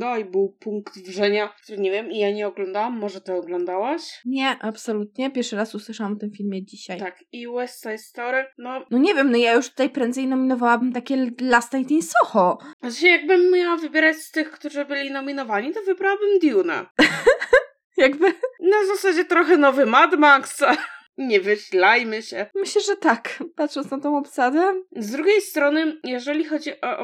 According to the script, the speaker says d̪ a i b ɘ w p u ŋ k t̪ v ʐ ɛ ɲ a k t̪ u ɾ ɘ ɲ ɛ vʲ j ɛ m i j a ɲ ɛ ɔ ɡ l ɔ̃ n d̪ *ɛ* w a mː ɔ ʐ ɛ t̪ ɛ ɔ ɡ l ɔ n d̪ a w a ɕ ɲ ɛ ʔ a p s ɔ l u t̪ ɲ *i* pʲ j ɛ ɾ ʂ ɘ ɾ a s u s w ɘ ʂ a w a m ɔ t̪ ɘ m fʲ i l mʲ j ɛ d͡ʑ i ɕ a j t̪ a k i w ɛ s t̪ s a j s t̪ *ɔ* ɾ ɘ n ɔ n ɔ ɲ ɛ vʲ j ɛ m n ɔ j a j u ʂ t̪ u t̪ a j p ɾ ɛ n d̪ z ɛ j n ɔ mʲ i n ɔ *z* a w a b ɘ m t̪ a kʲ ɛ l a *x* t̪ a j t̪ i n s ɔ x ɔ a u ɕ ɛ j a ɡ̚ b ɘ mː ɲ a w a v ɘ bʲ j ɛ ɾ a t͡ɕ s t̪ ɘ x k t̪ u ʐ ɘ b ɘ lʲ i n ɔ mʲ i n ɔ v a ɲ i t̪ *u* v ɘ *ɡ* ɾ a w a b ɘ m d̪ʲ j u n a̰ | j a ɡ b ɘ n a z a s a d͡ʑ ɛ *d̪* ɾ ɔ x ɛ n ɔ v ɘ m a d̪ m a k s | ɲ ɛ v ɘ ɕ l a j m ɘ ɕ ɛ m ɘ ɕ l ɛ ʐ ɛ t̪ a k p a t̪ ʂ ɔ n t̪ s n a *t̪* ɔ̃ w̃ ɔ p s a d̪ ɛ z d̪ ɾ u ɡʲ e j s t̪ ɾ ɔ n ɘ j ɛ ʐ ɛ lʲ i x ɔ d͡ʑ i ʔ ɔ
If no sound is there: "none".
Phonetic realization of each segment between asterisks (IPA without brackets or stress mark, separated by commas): a, ɛ, ɔ, v, s, ɔ, b, t̪, t̪